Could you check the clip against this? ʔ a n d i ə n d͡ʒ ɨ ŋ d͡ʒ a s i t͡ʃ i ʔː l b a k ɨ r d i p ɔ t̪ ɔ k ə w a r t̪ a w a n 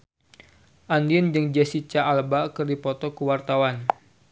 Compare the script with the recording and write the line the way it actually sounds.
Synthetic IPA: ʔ a n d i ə n d͡ʒ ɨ ŋ d͡ʒ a s i t͡ʃ a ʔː l b a k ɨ r d i p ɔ t̪ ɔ k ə w a r t̪ a w a n